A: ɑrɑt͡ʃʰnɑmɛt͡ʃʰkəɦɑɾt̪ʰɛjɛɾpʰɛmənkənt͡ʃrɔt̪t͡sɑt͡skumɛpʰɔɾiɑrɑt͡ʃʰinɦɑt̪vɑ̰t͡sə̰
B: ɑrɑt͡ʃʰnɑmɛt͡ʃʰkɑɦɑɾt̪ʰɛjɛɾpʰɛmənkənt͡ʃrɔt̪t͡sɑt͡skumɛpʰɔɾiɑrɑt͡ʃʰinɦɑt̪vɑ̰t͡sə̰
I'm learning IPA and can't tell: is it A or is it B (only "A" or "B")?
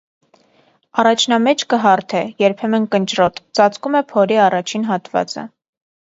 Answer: A